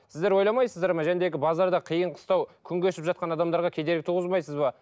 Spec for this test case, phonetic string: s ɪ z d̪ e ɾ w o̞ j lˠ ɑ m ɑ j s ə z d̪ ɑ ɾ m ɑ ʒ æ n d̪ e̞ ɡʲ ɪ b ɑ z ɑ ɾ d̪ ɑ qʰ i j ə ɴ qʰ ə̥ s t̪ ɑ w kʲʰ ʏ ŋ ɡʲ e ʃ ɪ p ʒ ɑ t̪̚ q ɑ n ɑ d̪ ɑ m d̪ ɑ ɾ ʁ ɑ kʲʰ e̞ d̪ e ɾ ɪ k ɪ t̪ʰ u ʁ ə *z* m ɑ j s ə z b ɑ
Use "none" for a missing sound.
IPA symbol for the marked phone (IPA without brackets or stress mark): z